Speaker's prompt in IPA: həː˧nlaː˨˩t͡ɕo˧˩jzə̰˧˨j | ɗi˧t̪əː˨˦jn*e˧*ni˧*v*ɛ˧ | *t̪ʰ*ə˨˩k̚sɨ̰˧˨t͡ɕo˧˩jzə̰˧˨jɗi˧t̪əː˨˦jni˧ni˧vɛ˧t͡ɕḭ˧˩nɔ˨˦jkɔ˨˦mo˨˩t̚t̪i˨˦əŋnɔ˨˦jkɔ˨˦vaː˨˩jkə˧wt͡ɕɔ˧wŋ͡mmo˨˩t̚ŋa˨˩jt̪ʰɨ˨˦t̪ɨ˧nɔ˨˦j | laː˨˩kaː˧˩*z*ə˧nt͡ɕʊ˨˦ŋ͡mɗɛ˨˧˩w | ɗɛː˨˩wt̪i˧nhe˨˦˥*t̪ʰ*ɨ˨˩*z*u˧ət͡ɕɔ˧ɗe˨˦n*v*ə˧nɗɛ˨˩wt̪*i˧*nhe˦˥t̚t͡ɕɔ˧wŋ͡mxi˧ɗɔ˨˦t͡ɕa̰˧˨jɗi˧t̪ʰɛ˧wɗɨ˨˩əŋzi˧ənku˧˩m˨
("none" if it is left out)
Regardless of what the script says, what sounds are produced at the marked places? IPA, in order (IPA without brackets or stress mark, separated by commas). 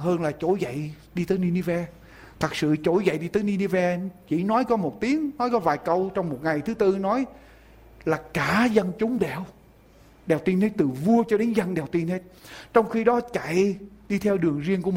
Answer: i˧, v, t̪ʰ, z, t̪, v, z, i˧